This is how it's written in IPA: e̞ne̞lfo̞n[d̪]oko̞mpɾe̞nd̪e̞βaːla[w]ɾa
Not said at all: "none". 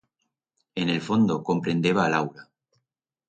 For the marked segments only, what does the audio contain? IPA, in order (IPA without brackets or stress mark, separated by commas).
d̪, w